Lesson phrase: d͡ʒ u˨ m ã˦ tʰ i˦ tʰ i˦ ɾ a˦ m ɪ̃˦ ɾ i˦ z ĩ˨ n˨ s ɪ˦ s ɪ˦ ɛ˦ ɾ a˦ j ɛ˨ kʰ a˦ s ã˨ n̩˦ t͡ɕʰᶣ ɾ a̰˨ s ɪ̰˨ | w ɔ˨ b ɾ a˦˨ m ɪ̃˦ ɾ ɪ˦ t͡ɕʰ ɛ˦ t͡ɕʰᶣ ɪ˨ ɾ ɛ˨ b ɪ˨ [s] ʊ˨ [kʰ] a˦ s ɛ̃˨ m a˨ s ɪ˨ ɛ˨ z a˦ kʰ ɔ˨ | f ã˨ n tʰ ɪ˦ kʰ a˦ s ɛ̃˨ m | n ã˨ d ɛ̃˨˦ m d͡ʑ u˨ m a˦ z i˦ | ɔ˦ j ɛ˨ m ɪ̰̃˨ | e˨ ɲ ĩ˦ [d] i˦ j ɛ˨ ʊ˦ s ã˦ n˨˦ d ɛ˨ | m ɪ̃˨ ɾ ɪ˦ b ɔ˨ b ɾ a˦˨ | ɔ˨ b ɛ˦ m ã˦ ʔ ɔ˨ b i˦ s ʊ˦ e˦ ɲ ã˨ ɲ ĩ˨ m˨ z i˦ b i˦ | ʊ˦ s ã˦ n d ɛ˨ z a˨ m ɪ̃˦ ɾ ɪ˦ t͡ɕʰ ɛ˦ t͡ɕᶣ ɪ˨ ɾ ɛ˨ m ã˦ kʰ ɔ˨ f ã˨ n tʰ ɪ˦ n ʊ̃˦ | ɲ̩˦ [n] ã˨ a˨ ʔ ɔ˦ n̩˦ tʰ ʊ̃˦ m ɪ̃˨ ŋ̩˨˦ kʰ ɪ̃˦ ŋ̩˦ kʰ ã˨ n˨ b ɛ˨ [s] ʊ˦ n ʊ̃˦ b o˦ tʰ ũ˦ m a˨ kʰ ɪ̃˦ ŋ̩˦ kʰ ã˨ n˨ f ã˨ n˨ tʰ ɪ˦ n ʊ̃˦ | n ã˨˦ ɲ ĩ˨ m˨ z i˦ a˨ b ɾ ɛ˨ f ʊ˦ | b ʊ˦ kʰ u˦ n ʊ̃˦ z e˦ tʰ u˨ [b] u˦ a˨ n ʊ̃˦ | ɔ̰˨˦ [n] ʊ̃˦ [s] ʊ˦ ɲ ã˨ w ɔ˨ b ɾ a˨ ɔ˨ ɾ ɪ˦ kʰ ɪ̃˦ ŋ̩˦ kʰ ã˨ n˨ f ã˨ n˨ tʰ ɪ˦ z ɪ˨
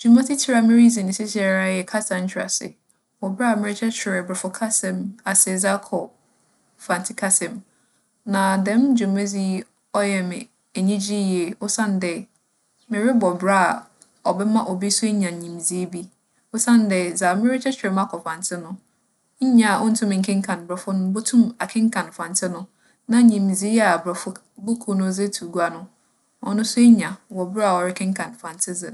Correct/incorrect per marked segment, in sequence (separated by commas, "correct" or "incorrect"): incorrect, correct, incorrect, incorrect, incorrect, incorrect, correct, correct